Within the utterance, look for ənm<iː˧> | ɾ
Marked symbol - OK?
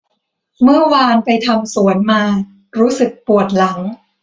no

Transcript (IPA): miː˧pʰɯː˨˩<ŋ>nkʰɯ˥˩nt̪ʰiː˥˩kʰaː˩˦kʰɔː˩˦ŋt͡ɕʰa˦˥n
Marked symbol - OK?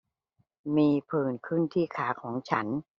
no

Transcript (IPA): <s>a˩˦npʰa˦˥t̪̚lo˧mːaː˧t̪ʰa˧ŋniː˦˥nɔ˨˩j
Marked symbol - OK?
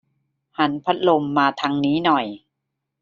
no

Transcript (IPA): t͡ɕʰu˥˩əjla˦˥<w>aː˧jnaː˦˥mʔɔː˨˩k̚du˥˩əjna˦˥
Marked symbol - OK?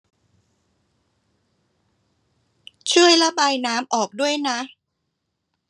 no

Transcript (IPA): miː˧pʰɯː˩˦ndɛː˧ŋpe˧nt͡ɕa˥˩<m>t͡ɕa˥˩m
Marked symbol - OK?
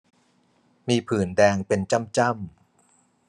yes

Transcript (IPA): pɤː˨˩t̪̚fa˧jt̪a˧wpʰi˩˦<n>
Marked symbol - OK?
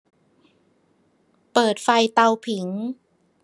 no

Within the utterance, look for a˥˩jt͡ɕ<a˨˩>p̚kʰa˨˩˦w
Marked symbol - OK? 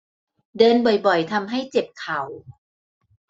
no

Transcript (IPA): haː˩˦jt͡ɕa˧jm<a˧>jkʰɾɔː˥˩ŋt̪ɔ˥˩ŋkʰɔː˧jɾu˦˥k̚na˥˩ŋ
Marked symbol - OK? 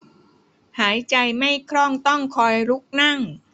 no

